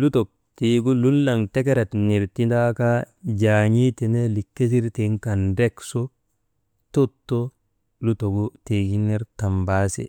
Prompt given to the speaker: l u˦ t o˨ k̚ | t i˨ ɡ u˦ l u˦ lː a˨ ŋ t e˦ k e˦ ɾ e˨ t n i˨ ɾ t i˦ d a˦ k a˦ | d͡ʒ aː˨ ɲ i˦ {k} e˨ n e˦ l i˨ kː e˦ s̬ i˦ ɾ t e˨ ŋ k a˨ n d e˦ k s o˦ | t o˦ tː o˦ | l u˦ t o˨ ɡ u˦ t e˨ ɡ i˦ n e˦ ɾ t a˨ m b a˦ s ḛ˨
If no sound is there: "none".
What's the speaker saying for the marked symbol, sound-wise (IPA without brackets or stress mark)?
t